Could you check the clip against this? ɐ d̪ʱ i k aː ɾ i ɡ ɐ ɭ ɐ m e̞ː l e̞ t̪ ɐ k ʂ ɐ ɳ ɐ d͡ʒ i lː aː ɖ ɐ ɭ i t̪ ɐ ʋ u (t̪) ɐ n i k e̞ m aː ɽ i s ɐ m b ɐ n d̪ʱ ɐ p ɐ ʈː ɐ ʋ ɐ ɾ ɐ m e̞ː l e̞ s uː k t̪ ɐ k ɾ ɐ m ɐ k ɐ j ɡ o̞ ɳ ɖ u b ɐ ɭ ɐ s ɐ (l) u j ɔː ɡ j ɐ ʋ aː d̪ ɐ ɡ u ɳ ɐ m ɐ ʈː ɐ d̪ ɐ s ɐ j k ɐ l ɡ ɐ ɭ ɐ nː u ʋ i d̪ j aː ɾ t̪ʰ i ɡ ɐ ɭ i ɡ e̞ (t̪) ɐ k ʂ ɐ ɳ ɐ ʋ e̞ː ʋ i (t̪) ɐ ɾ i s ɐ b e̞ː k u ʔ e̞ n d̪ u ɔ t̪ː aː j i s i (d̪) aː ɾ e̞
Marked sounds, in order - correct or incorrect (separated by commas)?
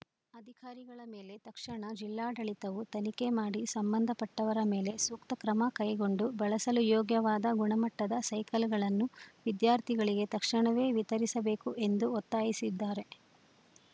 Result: correct, correct, correct, correct, incorrect